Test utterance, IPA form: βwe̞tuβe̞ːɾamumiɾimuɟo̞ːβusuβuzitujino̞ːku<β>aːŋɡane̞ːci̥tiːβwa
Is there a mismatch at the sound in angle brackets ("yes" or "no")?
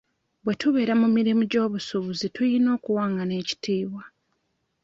yes